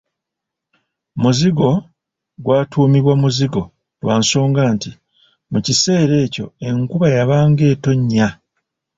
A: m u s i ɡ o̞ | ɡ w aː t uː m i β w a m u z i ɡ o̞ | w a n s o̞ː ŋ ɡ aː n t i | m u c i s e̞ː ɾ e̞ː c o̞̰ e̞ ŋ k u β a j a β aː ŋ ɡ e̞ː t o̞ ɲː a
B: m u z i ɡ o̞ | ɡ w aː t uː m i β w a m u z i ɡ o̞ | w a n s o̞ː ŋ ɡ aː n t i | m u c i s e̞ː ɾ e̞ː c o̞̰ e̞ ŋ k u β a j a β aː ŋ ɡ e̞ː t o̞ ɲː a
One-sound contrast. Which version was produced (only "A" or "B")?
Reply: B